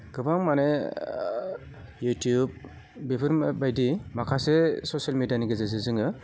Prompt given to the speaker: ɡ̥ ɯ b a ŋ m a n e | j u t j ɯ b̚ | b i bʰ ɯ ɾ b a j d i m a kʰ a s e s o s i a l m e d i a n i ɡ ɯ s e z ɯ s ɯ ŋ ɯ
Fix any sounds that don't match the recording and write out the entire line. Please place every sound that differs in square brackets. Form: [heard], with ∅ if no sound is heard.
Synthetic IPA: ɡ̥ ɯ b a ŋ m a n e | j u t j [u] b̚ | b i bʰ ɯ ɾ b a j d i m a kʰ a s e s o s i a l m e d i a n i ɡ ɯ [z] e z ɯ [z] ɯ ŋ ɯ